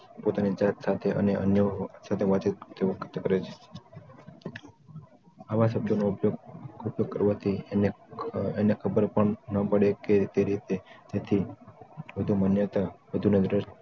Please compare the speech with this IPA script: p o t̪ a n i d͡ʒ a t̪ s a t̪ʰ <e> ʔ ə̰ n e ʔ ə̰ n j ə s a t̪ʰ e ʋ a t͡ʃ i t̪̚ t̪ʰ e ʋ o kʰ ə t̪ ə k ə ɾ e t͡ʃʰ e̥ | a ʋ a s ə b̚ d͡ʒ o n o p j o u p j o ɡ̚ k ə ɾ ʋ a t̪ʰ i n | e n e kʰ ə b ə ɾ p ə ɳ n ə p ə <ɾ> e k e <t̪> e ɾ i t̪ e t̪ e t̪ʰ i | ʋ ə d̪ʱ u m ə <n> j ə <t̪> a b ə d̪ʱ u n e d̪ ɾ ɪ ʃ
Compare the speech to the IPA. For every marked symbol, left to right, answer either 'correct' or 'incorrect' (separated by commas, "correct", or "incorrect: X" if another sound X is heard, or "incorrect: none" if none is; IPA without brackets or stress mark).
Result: correct, incorrect: ɽ, correct, correct, correct